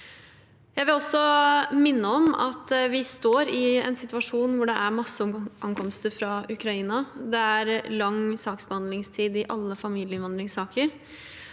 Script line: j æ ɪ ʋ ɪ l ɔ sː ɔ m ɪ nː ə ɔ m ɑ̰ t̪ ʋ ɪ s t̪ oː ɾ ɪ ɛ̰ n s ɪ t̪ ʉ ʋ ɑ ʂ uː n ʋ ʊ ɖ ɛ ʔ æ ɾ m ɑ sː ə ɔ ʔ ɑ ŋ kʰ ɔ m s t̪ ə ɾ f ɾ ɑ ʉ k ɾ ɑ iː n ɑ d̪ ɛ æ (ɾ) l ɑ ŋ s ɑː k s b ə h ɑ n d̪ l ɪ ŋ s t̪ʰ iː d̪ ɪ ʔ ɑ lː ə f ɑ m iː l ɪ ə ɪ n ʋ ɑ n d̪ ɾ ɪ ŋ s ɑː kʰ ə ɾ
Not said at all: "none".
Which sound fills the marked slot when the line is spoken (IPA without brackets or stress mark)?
ɾ